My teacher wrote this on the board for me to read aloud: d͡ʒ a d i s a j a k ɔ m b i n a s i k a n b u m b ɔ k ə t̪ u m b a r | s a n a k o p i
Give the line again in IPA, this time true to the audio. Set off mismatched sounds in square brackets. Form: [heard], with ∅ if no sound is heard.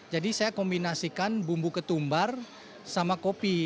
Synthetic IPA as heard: d͡ʒ a d i s a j a k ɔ m b i n a s i k a n b u m b [u] k ə t̪ u m b a r | s a [m] a k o p i

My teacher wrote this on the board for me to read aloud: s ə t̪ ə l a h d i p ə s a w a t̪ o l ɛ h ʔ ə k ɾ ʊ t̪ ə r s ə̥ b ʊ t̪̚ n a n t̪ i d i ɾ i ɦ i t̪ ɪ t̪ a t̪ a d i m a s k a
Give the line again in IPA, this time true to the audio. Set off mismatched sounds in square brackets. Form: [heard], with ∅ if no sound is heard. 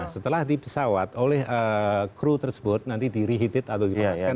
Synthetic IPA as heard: s ə t̪ ə l a h d i p ə s a w a t̪ o l ɛ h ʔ ə k ɾ [u] t̪ ə r s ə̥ b ʊ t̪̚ n a n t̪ i d i ɾ i ɦ i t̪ ɪ t̪ a t̪ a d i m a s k a

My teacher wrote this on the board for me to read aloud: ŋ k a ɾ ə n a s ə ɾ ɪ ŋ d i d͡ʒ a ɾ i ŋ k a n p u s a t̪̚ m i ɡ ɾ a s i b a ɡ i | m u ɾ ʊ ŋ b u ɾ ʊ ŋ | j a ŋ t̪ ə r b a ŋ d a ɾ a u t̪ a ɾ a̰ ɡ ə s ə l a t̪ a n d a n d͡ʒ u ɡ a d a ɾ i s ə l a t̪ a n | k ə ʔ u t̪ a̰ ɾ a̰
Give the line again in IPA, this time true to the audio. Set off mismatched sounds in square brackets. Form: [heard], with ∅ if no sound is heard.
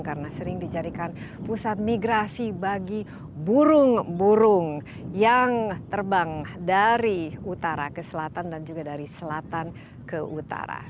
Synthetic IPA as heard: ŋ k a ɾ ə n a s ə ɾ ɪ ŋ d i d͡ʒ a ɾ i [∅] k a n p u s a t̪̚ m i ɡ ɾ a s i b a ɡ i | [b] u ɾ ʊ ŋ b u ɾ ʊ ŋ | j a ŋ t̪ ə r b a ŋ d a ɾ [i] u t̪ a ɾ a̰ [k] ə s ə l a t̪ a n d a n d͡ʒ u ɡ a d a ɾ i s ə l a t̪ a n | k ə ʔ u t̪ a̰ ɾ a̰

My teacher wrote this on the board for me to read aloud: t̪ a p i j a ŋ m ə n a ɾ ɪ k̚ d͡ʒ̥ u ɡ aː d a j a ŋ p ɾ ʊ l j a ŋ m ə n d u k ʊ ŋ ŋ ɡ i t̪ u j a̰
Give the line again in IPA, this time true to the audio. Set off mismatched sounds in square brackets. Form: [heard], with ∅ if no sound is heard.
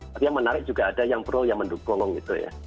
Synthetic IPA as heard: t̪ a p i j a ŋ m ə n a ɾ ɪ k̚ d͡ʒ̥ u ɡ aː d a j a ŋ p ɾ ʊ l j a ŋ m ə n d u k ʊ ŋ ŋ ɡ i t̪ u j a̰

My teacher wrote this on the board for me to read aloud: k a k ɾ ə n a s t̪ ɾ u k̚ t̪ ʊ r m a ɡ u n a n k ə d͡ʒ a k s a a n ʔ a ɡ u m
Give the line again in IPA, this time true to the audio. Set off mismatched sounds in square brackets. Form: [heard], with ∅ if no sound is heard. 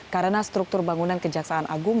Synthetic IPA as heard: k a [∅] ɾ ə n a s t̪ ɾ u k̚ t̪ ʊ r [b] a [ŋ] u n a n k ə d͡ʒ a k s a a n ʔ a ɡ u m

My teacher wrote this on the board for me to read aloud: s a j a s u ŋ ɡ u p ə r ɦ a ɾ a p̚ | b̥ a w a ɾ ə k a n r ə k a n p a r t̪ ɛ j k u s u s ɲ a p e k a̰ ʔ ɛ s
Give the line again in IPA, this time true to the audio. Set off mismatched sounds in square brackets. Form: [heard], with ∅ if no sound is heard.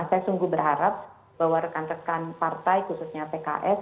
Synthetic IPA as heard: s a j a s u ŋ ɡ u [b] ə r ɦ a ɾ a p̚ | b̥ a w a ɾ ə k a n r ə k a n p a r t̪ [a] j k u s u s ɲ a p e k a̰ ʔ ɛ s

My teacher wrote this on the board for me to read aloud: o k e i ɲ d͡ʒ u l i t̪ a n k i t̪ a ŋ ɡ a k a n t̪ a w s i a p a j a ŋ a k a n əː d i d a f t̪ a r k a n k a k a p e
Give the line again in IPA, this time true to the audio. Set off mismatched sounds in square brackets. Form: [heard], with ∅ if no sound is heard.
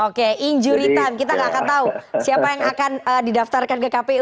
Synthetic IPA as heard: o k e i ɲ d͡ʒ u [ɾ] i t̪ a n k i t̪ a ŋ ɡ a k a n t̪ a [u] s i a p a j a ŋ a k a n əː d i d a f t̪ a r k a n k [ə] k a p e

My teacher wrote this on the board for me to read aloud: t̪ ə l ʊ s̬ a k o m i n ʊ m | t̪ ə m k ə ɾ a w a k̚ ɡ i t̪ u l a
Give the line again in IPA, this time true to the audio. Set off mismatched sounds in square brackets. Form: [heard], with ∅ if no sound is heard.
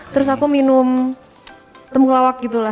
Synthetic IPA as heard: t̪ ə [ɾ] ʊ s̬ a k [u] m i n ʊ m | t̪ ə m k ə [l] a w a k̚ ɡ i t̪ u l a

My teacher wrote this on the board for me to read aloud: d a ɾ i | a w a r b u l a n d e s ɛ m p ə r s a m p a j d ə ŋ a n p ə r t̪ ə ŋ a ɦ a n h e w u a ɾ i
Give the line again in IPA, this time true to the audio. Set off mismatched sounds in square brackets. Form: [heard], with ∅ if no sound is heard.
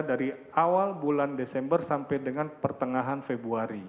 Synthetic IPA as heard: d a ɾ i | a w a [l] b u l a n d e s ɛ m [b] ə r s a m p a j d ə ŋ a n p ə r t̪ ə ŋ a ɦ a n [f] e [b] u a ɾ i

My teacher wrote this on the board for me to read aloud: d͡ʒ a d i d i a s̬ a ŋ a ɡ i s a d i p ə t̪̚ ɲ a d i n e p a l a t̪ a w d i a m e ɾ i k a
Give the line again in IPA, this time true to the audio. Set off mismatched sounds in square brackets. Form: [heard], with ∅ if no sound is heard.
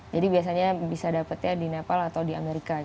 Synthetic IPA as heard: d͡ʒ a d i [b] i a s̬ a [ɲ] a [b] i s a d [a] p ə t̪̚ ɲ a d i n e p a l a t̪ a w d i a m e ɾ i k a

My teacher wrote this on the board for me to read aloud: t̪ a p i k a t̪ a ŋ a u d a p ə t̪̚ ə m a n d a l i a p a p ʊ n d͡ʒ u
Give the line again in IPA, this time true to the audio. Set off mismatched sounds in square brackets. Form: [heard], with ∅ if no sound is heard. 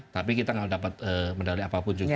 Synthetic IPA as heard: t̪ a p i k [i] t̪ a ŋ a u d a p [a] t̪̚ ə m [ə] n d a l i a p a p ʊ n d͡ʒ u

